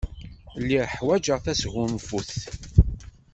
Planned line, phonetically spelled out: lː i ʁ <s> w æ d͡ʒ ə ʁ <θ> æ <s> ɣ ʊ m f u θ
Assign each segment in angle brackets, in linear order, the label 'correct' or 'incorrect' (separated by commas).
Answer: incorrect, correct, correct